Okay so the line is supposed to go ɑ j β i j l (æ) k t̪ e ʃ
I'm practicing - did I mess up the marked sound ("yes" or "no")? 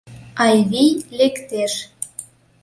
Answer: yes